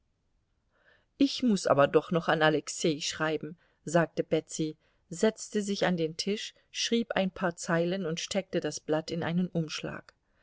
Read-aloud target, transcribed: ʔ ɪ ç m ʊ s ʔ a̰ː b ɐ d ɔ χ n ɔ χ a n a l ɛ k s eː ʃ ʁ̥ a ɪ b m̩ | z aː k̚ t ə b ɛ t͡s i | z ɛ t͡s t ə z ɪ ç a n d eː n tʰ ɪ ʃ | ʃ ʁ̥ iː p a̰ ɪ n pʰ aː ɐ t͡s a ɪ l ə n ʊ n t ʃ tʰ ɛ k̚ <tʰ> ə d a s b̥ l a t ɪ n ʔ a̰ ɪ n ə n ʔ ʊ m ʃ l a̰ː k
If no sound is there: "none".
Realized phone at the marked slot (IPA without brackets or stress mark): t